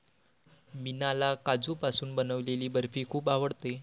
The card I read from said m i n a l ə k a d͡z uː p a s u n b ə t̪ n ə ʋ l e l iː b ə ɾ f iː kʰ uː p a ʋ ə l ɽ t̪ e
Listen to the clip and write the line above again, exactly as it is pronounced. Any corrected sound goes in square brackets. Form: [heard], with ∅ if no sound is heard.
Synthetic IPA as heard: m i n a l [a] k a d͡z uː p a s [uː] n b ə [∅] n ə ʋ l e l iː b ə ɾ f iː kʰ uː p a ʋ ə [∅] ɽ t̪ e